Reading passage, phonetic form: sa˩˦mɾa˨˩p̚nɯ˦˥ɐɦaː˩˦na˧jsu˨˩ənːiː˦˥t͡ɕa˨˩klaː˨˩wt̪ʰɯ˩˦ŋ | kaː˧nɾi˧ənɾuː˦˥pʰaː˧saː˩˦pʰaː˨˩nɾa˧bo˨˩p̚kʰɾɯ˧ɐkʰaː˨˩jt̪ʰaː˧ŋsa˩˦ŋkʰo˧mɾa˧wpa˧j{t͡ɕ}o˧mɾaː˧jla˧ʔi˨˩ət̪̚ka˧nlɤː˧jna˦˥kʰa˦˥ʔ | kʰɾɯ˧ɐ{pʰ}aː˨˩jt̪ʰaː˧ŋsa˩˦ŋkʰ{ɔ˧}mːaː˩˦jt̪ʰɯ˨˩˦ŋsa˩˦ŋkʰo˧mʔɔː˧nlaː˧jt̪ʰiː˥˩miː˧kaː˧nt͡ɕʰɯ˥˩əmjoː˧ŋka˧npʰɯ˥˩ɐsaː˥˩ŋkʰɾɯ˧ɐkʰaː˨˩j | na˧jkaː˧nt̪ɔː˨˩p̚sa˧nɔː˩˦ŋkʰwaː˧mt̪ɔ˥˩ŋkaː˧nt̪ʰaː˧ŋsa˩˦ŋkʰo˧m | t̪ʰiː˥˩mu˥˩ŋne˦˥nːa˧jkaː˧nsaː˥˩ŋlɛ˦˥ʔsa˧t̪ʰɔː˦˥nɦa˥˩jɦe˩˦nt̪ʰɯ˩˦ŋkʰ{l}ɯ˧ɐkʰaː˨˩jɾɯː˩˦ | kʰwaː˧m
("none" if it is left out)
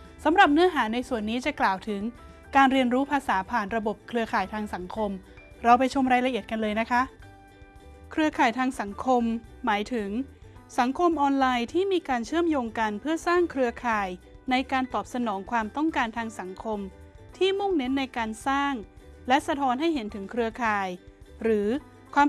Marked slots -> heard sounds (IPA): t͡ɕʰ, kʰ, o˧, ɾ

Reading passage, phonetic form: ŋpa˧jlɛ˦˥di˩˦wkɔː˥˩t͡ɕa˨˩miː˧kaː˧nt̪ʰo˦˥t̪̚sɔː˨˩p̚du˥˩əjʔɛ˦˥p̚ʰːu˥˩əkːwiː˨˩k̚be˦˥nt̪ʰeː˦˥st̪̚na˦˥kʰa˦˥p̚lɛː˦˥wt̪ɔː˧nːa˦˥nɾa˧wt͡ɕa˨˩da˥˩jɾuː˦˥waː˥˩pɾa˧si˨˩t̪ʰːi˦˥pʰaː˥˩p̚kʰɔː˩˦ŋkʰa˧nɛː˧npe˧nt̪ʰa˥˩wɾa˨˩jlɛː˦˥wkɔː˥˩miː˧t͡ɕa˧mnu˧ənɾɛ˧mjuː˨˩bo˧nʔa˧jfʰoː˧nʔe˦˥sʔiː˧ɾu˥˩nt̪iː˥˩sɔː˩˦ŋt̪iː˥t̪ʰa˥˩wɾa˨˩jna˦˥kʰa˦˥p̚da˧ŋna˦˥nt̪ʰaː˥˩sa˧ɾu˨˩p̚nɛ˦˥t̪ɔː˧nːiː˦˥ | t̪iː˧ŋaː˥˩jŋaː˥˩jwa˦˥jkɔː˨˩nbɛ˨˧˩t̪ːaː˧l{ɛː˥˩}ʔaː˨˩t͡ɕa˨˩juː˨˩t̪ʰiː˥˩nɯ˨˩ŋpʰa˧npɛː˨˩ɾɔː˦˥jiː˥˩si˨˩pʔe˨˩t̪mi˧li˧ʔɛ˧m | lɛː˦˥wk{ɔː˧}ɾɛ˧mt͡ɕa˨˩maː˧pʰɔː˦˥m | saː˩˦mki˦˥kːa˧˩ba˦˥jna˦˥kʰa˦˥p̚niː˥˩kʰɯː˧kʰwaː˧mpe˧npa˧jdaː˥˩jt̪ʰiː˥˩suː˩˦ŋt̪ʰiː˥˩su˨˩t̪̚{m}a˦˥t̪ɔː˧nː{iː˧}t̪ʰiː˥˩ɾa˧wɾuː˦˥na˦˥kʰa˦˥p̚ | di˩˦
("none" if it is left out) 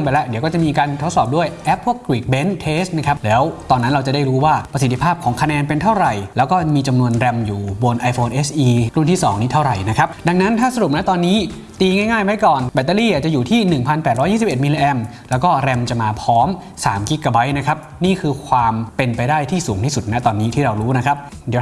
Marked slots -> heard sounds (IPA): iː˥˩, ɔː˥˩, n, iː˦˥

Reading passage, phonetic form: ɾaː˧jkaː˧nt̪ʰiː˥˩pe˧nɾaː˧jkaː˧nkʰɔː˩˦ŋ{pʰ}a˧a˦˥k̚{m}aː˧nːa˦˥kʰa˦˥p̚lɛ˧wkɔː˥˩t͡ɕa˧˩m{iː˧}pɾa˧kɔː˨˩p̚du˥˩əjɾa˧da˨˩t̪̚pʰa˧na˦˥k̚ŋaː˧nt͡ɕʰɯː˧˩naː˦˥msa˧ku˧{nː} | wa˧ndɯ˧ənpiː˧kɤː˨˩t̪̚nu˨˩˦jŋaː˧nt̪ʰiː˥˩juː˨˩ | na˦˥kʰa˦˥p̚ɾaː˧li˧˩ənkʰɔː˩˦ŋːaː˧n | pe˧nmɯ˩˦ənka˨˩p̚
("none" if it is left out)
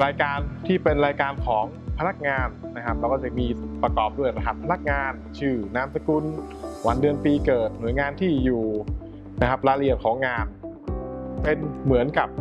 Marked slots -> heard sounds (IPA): pʰ, ŋ, iː˧, n

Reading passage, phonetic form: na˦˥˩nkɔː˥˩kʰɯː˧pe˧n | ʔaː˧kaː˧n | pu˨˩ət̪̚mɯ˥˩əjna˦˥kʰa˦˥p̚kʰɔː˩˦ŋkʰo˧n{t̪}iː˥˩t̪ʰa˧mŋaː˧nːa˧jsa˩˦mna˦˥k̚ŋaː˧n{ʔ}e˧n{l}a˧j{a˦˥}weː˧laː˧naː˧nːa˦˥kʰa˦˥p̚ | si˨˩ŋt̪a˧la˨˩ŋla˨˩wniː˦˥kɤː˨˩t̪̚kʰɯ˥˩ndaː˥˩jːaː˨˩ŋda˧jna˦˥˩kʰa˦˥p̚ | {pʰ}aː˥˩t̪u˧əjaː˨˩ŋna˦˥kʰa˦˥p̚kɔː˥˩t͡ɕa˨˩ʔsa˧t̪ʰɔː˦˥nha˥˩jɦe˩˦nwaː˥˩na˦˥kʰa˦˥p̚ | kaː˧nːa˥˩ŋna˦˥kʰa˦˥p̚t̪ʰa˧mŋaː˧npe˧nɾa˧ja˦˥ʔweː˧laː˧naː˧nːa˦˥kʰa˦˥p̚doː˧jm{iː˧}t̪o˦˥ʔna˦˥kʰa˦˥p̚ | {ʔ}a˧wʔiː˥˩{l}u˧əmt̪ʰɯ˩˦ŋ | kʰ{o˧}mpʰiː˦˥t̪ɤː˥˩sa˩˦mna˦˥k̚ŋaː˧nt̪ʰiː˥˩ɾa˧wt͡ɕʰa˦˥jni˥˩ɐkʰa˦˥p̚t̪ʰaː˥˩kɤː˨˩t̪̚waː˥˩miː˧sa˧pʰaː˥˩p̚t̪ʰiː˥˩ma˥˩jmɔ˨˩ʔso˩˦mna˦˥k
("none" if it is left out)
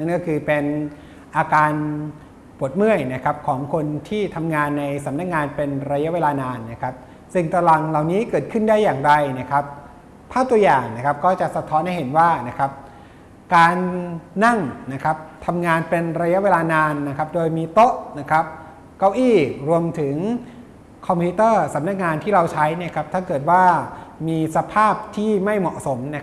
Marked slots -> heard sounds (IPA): t̪ʰ, p, ɾ, a˦˥, pʰ, iː˧, k, ɾ, ɔ˧

